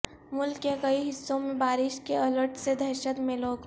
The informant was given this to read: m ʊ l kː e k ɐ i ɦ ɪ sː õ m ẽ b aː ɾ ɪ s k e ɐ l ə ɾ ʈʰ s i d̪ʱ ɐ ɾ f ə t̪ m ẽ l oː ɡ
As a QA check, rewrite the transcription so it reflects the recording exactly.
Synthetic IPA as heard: m ʊ l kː e k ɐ i ɦ ɪ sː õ m ẽ b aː ɾ ɪ ʃ k e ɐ l ə ɾ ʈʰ s e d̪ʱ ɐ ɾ ʃ ə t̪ m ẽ l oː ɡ